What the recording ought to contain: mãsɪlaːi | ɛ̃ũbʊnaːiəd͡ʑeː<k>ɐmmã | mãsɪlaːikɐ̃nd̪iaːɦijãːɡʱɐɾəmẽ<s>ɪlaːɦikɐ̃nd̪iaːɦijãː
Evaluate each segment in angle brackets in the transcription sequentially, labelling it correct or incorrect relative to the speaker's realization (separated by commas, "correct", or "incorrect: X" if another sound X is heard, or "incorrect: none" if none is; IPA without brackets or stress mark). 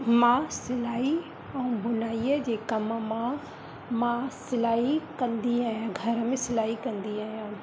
correct, correct